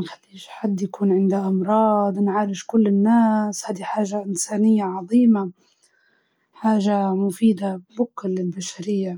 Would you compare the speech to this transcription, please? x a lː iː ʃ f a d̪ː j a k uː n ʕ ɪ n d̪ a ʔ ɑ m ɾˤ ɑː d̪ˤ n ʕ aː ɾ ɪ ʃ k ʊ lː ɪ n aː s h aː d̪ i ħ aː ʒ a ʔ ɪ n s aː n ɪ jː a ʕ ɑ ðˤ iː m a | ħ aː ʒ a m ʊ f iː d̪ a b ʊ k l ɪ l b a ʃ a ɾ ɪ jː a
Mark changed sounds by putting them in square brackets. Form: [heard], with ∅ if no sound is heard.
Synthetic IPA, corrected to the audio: x a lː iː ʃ [ħ] a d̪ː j a k uː n ʕ ɪ n d̪ a ʔ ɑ m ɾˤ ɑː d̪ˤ n ʕ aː ɾ ɪ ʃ k ʊ lː ɪ [nː] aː s h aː d̪ i ħ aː ʒ a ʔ ɪ n s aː n ɪ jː a ʕ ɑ ðˤ iː m a | ħ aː ʒ a m ʊ f iː d̪ a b ʊ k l ɪ l b a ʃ a ɾ ɪ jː a